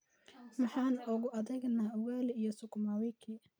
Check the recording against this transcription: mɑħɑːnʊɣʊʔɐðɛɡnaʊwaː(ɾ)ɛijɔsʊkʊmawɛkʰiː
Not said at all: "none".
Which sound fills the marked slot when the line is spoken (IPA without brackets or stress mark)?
l